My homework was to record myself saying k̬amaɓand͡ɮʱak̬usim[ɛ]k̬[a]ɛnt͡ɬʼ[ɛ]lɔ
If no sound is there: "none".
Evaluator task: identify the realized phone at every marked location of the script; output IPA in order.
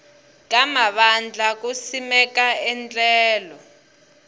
ɛ, a, ɛː

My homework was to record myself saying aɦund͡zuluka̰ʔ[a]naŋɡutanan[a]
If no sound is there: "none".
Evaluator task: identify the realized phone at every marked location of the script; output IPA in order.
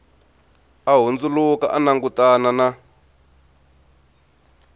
a, a

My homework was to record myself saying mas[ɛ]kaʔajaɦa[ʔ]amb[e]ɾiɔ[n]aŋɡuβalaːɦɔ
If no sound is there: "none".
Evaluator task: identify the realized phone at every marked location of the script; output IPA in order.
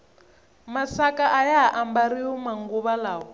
a, ʔ, a, m

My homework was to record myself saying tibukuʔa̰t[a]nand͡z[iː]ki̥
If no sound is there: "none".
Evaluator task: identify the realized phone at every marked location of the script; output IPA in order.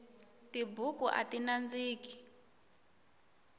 i, iː

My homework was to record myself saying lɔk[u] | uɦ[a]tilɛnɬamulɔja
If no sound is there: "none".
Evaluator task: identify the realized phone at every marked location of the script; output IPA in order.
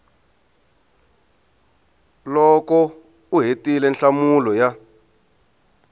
ɔ, e

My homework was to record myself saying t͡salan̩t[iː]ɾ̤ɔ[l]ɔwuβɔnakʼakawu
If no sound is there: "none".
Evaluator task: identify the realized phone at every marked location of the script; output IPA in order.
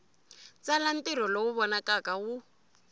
i, l

